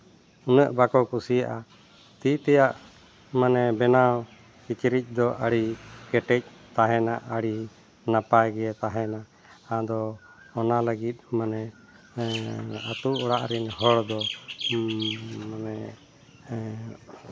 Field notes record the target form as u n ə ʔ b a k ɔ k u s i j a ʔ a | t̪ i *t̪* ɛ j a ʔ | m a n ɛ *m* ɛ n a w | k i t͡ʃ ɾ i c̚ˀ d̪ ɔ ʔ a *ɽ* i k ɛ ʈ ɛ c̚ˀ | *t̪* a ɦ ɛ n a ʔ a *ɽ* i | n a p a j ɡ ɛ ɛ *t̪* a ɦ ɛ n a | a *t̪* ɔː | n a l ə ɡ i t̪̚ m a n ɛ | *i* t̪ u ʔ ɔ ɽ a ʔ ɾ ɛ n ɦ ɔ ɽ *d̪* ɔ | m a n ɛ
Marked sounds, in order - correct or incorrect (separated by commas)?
correct, incorrect, correct, correct, correct, correct, incorrect, incorrect, correct